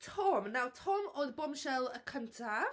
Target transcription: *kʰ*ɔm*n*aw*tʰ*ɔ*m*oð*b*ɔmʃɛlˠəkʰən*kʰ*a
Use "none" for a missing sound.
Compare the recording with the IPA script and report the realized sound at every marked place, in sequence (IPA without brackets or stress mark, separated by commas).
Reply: tʰ, n, tʰ, m, b, tʰ